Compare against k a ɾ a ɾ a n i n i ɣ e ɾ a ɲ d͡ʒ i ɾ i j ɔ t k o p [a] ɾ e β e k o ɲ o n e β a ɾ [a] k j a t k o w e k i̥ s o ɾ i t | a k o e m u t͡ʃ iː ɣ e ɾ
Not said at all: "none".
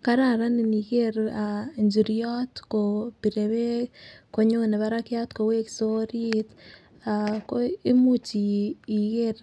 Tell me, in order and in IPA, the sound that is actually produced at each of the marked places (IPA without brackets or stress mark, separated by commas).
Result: i, a